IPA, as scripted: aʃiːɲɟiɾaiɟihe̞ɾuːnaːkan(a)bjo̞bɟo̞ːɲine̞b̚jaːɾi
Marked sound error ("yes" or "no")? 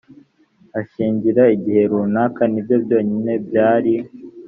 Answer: yes